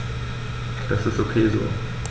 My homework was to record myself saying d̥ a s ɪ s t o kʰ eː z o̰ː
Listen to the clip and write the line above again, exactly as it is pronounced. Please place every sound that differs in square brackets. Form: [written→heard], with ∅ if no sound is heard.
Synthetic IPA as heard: d̥ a s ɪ s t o kʰ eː z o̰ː